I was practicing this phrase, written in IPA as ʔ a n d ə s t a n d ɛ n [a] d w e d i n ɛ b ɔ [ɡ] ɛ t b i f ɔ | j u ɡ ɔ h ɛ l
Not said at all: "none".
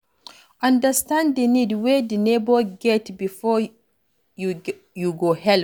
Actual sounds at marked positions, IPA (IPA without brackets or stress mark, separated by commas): i, ɡ